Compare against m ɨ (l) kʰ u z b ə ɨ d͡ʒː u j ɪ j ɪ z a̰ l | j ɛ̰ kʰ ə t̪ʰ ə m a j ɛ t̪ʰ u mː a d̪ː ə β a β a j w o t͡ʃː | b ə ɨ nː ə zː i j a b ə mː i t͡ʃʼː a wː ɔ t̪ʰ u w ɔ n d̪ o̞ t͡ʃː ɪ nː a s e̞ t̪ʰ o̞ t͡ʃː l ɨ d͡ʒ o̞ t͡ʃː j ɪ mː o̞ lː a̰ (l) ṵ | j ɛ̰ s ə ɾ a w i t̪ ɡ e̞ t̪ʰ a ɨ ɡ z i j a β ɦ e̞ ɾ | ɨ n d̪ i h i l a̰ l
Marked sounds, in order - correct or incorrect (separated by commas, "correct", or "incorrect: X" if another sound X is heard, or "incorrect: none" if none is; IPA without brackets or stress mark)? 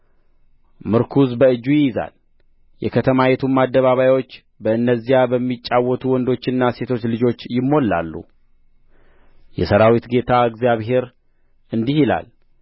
incorrect: ɾ, incorrect: lː